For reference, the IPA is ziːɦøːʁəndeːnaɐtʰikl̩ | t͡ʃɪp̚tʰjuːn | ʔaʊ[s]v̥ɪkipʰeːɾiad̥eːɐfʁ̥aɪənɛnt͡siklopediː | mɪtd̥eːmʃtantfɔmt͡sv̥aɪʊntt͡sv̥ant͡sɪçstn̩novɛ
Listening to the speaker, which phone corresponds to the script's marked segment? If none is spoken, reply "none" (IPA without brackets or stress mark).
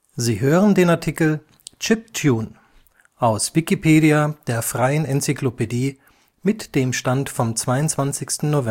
s